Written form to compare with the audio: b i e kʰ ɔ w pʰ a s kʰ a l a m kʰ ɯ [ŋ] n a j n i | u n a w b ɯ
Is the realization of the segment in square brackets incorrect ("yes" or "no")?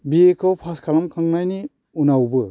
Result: no